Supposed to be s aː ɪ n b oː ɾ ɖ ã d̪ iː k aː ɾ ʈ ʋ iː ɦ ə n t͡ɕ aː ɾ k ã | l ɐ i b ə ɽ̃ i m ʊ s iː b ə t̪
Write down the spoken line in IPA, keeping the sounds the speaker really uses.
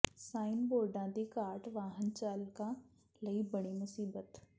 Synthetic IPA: s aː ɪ n b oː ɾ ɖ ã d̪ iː k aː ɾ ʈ ʋ aː ɦ ə n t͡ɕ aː l k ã | l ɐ i b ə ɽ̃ i m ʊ s iː b ə t̪